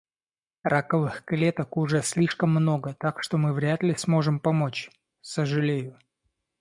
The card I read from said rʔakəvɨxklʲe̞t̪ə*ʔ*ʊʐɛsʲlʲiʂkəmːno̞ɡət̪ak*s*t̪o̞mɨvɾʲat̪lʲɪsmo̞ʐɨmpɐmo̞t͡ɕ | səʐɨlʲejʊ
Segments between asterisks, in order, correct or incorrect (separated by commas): incorrect, incorrect